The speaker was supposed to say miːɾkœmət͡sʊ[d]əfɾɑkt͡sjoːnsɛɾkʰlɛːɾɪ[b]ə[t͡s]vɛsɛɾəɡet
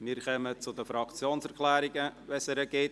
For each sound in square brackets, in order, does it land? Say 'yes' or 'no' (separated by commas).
yes, no, no